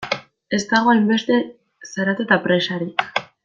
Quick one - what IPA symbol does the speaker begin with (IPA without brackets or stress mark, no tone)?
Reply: e̞